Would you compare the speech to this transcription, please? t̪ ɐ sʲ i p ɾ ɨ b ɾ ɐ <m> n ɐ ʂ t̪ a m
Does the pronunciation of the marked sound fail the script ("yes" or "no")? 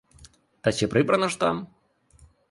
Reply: yes